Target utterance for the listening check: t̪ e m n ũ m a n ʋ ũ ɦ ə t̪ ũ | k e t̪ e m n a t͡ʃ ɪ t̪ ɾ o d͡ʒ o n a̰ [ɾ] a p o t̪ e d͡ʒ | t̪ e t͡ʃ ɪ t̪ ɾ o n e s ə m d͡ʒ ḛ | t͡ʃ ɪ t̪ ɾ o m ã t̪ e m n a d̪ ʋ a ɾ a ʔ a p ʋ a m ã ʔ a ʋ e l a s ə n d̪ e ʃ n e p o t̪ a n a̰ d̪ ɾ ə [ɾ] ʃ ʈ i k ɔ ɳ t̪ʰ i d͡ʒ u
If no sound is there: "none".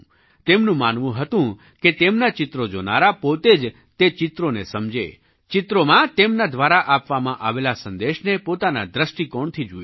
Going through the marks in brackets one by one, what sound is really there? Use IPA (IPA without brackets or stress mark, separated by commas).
ɾ, none